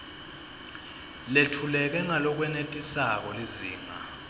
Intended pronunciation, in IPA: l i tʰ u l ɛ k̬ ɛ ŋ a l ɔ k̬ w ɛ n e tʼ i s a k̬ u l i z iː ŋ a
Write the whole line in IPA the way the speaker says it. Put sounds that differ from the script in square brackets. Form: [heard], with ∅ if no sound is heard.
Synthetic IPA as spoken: l [e] tʰ u l ɛ k̬ ɛ ŋ a l ɔ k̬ w ɛ n e tʼ i s a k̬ [ɔ] l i z iː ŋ a